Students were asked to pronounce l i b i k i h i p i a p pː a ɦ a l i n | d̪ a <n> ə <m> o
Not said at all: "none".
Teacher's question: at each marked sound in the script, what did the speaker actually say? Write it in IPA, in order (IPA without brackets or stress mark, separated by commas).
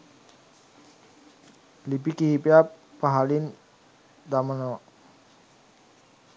m, n